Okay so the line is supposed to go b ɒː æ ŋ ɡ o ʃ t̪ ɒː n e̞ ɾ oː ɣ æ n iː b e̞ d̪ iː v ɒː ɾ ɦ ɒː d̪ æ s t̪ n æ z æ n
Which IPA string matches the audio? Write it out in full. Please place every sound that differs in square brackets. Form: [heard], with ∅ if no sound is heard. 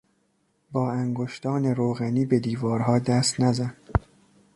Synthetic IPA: b ɒː æ ŋ ɡ o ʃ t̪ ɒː n e̞ ɾ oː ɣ æ n iː b e̞ d̪ iː v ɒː ɾ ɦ ɒː d̪ æ s t̪ n æ z æ n